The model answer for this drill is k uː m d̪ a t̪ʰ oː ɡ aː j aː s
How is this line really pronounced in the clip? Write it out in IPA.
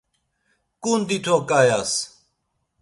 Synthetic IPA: k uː n d̪ i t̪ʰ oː k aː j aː s